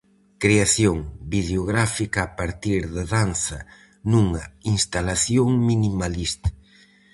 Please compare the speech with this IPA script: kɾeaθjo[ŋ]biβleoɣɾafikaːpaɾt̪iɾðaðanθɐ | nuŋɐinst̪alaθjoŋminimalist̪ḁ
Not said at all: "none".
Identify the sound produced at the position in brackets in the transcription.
ŋ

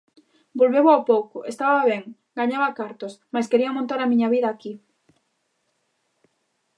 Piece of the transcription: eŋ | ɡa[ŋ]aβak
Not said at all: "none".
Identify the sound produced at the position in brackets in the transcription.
ɲ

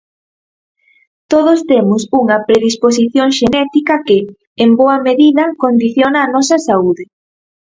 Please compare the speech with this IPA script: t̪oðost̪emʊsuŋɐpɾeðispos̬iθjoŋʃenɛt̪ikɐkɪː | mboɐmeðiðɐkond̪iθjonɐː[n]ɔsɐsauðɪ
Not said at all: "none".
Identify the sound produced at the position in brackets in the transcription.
n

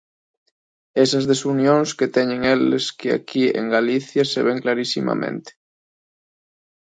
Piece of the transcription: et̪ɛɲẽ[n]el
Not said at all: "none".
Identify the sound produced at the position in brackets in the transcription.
ŋ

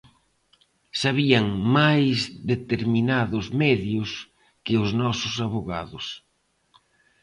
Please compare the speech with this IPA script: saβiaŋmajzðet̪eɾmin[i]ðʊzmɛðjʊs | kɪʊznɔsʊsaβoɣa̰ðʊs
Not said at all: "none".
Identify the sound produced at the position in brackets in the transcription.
a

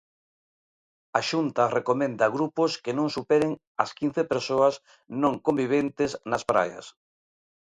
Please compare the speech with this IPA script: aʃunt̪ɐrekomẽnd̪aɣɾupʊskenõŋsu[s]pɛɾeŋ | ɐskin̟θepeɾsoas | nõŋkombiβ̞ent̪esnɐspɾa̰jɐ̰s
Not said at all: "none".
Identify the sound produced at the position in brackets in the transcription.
none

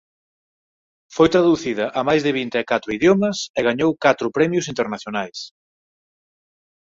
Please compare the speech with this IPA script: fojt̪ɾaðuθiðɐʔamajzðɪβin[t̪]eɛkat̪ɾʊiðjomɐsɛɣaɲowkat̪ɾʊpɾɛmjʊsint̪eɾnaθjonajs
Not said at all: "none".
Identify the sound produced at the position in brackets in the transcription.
t̪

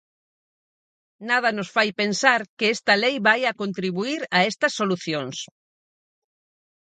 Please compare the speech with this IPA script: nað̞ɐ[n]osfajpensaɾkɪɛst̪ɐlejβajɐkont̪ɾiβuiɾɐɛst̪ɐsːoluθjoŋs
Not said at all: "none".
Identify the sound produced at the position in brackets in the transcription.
n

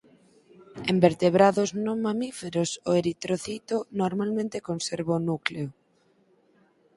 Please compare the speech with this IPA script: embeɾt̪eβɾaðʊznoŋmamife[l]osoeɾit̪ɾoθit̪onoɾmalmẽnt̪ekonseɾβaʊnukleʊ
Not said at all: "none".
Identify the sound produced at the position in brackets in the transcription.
ɾ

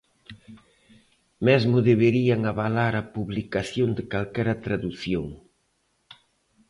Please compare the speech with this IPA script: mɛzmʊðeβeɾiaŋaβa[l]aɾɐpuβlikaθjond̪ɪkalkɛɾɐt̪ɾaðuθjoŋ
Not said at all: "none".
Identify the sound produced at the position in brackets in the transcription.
l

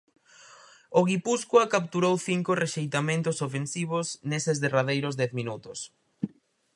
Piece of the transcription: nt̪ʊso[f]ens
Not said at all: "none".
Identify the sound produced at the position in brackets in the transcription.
f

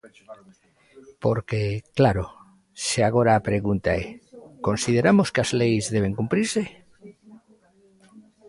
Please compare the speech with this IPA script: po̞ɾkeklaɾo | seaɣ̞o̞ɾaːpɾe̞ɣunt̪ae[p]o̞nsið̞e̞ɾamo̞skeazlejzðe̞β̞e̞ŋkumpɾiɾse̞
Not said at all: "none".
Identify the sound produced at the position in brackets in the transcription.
k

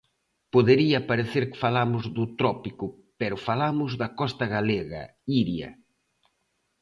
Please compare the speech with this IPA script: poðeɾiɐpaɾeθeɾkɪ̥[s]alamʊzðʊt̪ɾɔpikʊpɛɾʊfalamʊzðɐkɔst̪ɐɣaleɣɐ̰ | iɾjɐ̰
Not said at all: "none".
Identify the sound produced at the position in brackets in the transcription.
f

